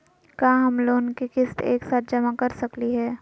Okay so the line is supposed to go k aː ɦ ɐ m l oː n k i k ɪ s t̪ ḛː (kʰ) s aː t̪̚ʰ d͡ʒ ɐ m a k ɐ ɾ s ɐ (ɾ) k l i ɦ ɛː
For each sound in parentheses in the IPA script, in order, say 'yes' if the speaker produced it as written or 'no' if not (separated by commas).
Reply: no, no